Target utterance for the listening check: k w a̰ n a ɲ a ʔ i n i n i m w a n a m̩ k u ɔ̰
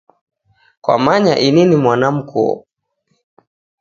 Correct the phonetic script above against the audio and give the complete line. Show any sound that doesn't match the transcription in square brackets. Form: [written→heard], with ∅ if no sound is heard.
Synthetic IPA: k w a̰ [n→m] a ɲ a ʔ i n i n i m w a n a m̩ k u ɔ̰